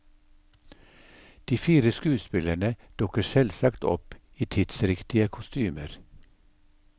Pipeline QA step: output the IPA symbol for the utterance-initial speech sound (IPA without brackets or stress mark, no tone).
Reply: d̪̥